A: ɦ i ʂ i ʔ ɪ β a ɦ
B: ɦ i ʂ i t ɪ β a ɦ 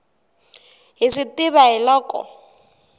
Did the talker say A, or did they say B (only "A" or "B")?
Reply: B